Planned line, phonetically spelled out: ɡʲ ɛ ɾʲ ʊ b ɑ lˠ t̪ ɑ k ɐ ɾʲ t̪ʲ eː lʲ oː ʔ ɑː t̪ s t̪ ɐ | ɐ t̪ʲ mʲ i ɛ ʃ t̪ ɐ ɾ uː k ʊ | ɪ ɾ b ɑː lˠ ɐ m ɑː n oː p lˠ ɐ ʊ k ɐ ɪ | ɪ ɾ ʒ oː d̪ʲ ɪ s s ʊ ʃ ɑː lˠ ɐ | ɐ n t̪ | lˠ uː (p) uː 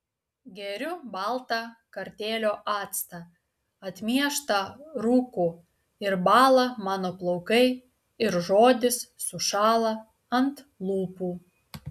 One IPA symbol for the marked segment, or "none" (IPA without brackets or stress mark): p